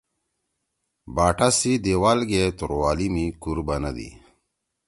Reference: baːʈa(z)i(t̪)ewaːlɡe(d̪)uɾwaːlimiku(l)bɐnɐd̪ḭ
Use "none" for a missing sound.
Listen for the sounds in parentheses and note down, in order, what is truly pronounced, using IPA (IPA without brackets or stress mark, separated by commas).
s, d̪, t̪, ɾ